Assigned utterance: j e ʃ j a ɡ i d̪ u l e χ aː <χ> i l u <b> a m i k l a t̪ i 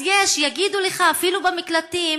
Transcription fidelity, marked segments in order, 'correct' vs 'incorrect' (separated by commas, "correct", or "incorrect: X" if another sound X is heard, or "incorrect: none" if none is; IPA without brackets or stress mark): incorrect: f, correct